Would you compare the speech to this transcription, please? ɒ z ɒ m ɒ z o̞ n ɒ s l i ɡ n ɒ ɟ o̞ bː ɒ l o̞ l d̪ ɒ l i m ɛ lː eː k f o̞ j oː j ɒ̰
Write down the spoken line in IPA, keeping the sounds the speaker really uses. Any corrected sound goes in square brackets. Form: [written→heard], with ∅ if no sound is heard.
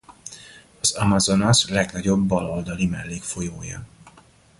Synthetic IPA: ɒ z ɒ m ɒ z o̞ n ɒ s l [i→ɛ] ɡ n ɒ ɟ o̞ bː ɒ l o̞ l d̪ ɒ l i m ɛ lː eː k f o̞ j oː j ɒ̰